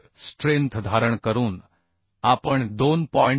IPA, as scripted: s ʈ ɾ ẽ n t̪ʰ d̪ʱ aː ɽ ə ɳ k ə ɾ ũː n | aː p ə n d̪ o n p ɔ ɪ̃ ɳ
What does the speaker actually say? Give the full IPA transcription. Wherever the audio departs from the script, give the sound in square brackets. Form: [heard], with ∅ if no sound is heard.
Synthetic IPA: s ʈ ɾ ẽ n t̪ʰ d̪ʱ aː [ɾ] ə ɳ k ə ɾ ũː n | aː p ə [ɳ] d̪ o n p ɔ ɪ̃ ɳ